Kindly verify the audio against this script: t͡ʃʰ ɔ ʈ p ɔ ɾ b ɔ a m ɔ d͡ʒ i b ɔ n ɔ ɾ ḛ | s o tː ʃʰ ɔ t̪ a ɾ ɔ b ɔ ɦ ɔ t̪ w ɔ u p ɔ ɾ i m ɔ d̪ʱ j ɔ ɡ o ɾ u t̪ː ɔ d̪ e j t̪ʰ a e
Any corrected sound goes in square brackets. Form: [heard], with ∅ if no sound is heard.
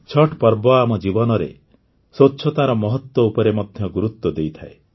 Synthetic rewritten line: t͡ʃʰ ɔ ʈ p ɔ ɾ b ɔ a m ɔ d͡ʒ i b ɔ n ɔ ɾ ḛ | s o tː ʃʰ ɔ t̪ a ɾ ɔ [m] ɔ ɦ ɔ t̪ w ɔ u p ɔ ɾ [e] m ɔ d̪ʱ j ɔ ɡ [u] ɾ u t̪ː ɔ d̪ e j t̪ʰ a e